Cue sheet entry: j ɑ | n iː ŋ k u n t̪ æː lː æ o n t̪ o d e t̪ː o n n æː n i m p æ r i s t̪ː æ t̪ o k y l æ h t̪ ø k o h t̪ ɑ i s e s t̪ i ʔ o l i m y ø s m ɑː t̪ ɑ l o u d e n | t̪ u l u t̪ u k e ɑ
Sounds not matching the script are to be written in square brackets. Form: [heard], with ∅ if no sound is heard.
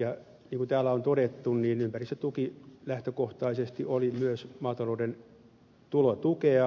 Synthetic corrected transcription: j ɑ | n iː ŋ k u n t̪ æː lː æ o n t̪ o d e t̪ː [u] n n [iː] n [y] m p æ r i s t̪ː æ t̪ [u] k [i] l æ h t̪ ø k o h t̪ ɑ i s e s t̪ i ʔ o l i m y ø s m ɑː t̪ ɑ l o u d e n | t̪ u l [o] t̪ u k e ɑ